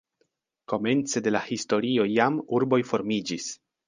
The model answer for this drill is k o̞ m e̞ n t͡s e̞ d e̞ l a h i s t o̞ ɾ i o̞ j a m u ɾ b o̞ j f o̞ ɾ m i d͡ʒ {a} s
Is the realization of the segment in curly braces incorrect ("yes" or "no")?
yes